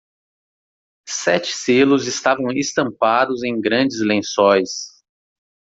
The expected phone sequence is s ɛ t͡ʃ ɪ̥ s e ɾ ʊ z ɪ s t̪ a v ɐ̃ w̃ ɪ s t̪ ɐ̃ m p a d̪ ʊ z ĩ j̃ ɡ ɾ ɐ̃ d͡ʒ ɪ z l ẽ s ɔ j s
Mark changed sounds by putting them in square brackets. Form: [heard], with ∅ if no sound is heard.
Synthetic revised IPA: s ɛ t͡ʃ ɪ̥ s e [l] ʊ z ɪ s t̪ a v ɐ̃ w̃ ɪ s t̪ ɐ̃ m p a d̪ ʊ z [ẽ] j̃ ɡ ɾ ɐ̃ d͡ʒ ɪ z l ẽ s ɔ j s